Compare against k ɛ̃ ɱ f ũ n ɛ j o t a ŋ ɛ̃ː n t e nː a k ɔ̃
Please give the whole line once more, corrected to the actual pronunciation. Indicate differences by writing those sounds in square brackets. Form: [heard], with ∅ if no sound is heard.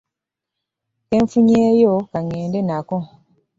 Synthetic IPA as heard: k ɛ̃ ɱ f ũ [ɲ] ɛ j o [k] a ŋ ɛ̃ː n [d] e [n] a k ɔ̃